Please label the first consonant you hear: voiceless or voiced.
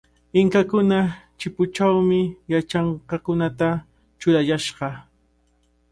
voiced